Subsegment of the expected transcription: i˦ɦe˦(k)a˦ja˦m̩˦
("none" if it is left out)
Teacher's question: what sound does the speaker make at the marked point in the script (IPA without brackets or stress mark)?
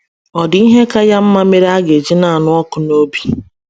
k